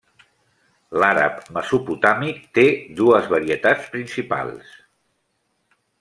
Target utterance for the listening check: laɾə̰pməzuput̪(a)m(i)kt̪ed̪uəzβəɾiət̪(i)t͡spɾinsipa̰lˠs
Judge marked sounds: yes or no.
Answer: yes, yes, no

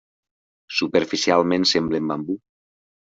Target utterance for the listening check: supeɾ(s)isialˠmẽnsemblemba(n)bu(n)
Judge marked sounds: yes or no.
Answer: no, no, no

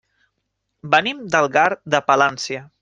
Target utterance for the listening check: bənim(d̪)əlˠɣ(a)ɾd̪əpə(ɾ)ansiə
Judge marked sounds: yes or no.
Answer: yes, yes, no

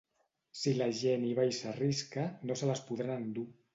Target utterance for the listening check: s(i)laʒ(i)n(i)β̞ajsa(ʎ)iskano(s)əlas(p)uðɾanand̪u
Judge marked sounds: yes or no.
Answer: yes, no, yes, no, yes, yes

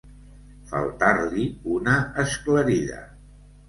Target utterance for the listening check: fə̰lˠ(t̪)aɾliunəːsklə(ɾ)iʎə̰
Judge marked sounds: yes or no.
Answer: yes, yes

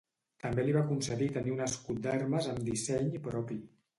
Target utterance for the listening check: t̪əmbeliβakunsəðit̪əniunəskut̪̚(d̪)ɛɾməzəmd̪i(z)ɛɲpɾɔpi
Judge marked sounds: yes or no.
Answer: yes, no

